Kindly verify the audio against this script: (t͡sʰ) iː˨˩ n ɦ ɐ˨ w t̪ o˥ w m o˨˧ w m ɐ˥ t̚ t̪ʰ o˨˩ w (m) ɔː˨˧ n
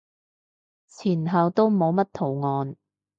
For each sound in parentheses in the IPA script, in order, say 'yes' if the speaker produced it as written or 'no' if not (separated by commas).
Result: yes, no